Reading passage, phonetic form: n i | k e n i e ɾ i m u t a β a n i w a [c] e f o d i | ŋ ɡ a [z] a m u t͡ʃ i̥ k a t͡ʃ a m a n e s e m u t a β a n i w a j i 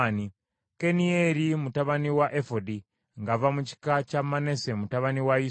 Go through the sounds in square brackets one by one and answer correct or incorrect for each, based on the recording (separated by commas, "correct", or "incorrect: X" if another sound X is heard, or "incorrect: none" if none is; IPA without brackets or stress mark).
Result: incorrect: ʔ, incorrect: v